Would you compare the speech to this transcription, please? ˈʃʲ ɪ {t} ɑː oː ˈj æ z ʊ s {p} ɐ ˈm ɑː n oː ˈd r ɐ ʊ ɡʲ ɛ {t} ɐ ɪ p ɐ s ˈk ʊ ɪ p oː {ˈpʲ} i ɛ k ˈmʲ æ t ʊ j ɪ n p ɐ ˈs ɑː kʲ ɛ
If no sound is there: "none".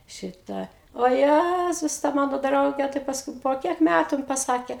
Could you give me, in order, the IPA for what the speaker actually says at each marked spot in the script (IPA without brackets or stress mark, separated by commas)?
t, t, t, kʲ